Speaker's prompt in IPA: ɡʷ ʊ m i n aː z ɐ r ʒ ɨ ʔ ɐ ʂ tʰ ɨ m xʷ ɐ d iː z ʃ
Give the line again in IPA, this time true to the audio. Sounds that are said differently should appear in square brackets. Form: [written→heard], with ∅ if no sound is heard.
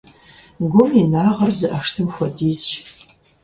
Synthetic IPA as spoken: ɡʷ ʊ m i n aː [z→ʁ] ɐ r [ʒ→z] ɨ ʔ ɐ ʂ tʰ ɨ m xʷ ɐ d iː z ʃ

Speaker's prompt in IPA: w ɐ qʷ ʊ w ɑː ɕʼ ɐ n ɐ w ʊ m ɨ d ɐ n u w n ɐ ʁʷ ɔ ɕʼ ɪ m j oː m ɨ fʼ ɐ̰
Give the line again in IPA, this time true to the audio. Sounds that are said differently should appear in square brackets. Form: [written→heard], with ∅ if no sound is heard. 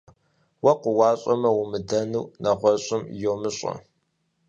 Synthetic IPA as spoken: w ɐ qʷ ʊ w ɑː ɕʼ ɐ [n→m] ɐ w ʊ m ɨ d ɐ n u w n ɐ ʁʷ ɔ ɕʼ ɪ m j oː m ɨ [fʼ→ɕʼ] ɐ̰

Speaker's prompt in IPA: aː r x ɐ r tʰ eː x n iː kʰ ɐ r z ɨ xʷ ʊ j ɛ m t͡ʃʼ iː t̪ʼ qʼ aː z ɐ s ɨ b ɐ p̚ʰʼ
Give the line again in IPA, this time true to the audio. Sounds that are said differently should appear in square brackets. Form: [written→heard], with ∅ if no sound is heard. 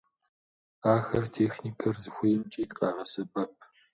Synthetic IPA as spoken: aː [r→∅] x ɐ r tʰ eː x n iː kʰ ɐ r z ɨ xʷ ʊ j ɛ m t͡ʃʼ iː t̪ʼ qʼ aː [z→ʁ] ɐ s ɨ b ɐ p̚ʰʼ

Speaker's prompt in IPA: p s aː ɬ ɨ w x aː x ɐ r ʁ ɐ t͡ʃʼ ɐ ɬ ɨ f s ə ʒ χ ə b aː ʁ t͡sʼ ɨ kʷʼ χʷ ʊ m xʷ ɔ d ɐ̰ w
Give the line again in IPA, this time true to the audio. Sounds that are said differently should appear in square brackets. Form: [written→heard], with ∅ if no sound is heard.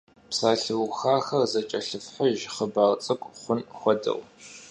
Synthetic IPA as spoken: p s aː ɬ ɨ w x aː x ɐ r [ʁ→z] ɐ t͡ʃʼ ɐ ɬ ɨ f [s→ħ] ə ʒ χ ə b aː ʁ t͡sʼ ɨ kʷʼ χʷ ʊ [m→n] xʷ ɔ d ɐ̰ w

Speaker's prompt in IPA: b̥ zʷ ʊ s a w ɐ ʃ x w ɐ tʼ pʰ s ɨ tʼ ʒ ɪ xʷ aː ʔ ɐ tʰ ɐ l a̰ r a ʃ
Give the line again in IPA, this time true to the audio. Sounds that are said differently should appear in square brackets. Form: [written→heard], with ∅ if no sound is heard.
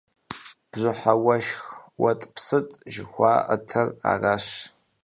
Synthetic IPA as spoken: b̥ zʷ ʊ [s→ħ] a w ɐ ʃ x w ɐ tʼ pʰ s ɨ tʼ ʒ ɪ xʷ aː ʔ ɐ tʰ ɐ [l→r] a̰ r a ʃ

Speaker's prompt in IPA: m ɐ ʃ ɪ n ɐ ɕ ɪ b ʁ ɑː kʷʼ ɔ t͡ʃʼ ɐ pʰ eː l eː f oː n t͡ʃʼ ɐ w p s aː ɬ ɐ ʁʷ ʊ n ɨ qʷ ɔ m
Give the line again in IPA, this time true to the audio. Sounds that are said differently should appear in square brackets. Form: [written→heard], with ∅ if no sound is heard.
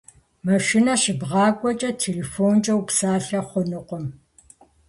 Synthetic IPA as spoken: m ɐ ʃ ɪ n ɐ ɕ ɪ b ʁ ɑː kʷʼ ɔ t͡ʃʼ ɐ [pʰ→tʰ] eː l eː f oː n t͡ʃʼ ɐ w p s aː ɬ ɐ [ʁʷ→χʷ] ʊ n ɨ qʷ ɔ m

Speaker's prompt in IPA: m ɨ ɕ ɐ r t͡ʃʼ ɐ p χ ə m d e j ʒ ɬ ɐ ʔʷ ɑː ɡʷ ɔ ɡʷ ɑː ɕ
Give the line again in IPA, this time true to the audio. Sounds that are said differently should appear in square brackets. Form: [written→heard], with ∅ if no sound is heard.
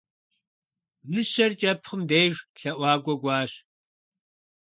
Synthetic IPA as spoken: m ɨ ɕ ɐ r t͡ʃʼ ɐ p χ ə m d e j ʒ ɬ ɐ ʔʷ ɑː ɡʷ ɔ ɡʷ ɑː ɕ

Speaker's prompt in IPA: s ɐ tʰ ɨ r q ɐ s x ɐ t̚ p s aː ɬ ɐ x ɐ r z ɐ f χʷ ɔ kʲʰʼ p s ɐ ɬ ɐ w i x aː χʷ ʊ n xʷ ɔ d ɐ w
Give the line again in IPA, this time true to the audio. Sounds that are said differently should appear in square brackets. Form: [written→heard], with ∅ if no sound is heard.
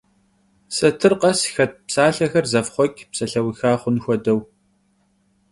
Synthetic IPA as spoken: s ɐ tʰ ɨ r q ɐ s x ɐ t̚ p s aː ɬ ɐ x ɐ r z ɐ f χʷ ɔ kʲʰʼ p s ɐ ɬ ɐ w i x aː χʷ ʊ n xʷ ɔ d ɐ w

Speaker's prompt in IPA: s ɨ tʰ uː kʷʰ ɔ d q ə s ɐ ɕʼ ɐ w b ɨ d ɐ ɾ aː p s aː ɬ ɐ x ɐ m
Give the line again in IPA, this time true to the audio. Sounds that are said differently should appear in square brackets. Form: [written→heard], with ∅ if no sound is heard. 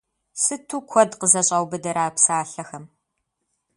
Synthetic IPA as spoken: s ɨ tʰ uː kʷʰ ɔ d q ə [s→z] ɐ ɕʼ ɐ w b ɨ d ɐ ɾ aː p s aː ɬ ɐ x ɐ m

